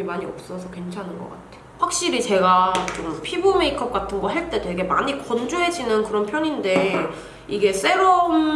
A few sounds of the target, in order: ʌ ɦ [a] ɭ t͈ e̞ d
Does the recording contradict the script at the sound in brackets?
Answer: yes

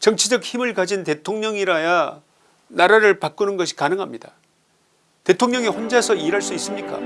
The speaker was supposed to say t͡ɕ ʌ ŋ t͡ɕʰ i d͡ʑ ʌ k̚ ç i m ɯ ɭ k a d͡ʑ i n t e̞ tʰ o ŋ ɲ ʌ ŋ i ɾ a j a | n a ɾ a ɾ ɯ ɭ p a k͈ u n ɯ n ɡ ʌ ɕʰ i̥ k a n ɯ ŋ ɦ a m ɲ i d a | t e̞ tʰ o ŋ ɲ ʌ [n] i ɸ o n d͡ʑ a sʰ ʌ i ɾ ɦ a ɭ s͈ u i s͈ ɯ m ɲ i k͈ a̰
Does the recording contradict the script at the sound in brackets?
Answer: yes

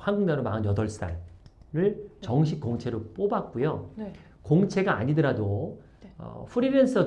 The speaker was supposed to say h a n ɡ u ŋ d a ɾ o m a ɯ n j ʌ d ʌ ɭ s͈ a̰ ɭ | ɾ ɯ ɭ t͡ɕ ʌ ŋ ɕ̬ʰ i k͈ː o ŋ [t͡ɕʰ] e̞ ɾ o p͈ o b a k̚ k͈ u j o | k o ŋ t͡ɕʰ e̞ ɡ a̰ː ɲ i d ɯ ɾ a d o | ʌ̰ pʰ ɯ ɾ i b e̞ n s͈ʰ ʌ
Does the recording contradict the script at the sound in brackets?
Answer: no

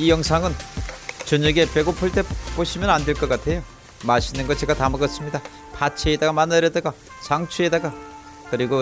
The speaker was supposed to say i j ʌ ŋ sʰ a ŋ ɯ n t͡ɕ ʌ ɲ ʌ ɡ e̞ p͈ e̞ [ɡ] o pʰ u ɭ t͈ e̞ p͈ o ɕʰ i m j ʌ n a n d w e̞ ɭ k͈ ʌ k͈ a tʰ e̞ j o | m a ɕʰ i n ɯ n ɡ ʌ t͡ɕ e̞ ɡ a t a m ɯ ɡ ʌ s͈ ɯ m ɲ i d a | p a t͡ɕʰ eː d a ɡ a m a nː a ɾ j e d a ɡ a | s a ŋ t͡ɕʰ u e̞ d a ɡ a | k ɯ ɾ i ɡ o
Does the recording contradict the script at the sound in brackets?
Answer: no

